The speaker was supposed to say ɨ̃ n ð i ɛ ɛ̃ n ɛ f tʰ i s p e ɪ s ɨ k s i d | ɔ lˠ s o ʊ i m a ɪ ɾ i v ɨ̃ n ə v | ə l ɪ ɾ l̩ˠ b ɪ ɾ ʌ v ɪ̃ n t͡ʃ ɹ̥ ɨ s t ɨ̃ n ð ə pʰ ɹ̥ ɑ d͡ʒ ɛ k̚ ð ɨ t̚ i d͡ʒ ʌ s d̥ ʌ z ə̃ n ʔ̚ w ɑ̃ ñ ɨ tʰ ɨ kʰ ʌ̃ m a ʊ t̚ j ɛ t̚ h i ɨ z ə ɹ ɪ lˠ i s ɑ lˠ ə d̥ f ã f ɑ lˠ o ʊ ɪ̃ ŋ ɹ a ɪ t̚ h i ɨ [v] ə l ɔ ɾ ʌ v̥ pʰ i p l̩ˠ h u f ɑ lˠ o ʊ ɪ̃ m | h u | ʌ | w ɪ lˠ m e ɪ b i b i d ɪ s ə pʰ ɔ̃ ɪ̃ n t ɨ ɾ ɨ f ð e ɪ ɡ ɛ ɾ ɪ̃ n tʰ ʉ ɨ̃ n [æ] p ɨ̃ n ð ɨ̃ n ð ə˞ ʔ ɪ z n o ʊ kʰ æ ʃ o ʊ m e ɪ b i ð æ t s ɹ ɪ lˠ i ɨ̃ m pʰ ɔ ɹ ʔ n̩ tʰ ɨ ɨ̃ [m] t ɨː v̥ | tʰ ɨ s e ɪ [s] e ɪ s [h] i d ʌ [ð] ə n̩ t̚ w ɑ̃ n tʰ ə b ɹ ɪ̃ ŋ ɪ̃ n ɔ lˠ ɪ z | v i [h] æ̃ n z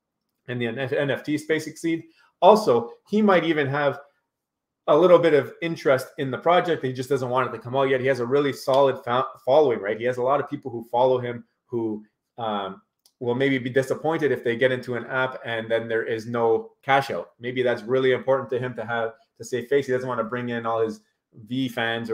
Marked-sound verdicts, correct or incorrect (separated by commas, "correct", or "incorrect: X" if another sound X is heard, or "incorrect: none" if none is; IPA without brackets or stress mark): incorrect: z, correct, correct, incorrect: f, correct, incorrect: z, incorrect: f